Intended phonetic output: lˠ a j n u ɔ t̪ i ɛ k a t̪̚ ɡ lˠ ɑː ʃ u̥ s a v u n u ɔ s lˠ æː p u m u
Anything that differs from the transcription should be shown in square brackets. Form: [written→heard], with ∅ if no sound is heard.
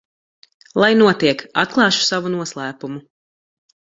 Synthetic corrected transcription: lˠ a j n u ɔ t̪ i ɛ k a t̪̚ [ɡ→k] lˠ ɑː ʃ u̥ s a v u n u ɔ s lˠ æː p u m u